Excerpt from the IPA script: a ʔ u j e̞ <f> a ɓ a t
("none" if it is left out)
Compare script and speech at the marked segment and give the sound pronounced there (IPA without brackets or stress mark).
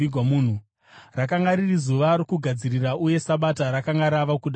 s